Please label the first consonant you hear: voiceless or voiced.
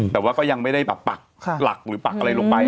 voiceless